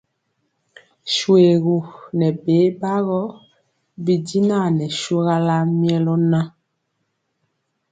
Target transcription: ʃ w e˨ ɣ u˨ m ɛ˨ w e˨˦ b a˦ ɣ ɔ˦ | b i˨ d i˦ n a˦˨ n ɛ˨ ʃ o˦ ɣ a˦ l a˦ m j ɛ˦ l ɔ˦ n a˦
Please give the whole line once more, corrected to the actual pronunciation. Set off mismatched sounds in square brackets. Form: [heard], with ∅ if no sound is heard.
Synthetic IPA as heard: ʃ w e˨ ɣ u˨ [n] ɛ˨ [b] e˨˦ b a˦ ɣ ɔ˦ | b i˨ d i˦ n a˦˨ n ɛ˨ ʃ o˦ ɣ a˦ l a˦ m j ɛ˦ l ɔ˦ n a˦